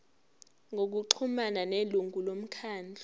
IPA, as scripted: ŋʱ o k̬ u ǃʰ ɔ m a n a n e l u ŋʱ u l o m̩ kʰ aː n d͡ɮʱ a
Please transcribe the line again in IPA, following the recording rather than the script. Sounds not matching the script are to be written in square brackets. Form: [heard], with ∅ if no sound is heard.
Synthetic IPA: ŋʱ o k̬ u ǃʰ [u] m a n a n e l u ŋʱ u l o m̩ kʰ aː n d͡ɮʱ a